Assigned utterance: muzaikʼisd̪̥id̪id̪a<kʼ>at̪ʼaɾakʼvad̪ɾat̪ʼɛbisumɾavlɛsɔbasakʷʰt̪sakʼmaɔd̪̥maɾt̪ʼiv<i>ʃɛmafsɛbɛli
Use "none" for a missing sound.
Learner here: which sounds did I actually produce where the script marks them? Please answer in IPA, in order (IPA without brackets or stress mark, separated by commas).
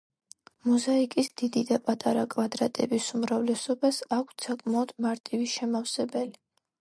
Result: pʼ, i